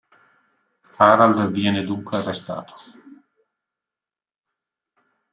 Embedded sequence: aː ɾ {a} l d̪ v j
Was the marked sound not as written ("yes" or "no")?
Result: no